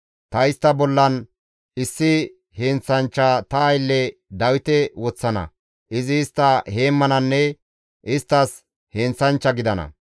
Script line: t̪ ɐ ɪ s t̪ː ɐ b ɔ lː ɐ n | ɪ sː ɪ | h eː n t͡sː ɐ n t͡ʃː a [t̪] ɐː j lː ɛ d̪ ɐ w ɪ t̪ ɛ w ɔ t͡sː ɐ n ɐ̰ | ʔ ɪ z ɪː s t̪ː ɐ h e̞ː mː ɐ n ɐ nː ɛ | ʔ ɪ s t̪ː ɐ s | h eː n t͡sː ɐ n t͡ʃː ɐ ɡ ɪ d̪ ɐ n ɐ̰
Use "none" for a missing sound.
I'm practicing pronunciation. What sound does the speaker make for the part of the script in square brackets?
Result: t̪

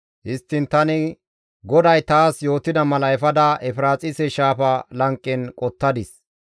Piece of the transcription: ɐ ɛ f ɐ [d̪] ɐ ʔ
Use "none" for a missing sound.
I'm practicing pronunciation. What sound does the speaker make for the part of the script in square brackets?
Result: d̪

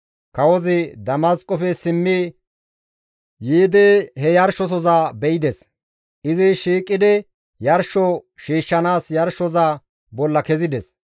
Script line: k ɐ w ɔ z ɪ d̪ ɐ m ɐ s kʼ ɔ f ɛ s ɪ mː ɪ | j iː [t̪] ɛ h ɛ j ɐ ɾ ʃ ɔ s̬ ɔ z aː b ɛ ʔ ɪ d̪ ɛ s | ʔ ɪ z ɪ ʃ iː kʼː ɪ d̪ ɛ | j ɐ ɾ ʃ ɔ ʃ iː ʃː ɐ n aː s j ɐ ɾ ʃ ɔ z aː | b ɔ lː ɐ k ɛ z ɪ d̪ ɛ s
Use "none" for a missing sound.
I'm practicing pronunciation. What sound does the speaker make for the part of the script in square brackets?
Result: d̪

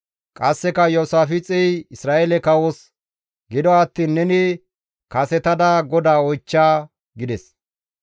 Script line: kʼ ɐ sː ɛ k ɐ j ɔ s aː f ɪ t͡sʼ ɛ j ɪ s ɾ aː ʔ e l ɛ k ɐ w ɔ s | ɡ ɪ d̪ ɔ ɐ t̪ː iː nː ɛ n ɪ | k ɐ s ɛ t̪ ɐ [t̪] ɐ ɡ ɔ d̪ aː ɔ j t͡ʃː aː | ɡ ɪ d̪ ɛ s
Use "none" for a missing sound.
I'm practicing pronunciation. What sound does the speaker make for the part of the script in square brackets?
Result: d̪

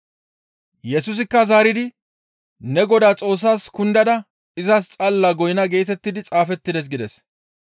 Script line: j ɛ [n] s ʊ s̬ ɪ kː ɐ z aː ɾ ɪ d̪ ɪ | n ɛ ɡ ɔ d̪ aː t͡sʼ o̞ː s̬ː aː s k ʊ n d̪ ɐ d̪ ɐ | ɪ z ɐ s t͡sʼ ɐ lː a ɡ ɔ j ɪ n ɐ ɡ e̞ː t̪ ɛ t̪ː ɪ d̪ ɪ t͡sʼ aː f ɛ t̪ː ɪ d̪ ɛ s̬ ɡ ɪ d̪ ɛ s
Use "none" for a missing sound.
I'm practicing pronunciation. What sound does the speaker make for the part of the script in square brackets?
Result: none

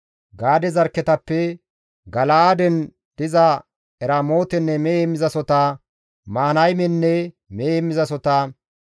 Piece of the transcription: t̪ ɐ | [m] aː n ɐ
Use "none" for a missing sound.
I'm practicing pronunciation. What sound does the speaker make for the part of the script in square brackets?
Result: m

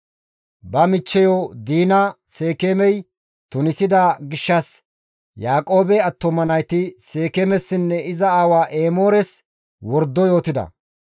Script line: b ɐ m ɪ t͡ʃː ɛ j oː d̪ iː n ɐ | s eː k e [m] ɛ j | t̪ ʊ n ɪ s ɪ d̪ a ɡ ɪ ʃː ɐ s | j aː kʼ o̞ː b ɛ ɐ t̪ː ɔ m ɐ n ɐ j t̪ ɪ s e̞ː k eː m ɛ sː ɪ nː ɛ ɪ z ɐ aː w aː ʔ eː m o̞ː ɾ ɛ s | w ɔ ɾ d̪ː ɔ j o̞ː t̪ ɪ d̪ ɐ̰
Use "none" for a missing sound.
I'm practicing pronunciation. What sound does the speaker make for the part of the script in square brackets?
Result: m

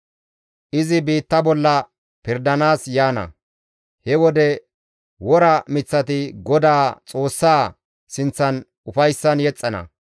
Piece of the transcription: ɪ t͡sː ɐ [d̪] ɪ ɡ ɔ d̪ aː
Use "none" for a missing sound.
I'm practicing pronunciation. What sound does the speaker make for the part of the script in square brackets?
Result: t̪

